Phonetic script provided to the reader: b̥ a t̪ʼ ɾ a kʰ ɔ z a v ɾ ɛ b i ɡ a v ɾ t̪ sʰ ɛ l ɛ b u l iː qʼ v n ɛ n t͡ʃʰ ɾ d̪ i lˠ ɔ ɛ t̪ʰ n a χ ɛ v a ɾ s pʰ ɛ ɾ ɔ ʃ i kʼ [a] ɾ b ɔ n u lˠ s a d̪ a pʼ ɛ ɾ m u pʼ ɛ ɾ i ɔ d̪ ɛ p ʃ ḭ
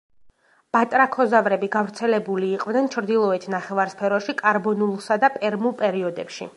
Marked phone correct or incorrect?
correct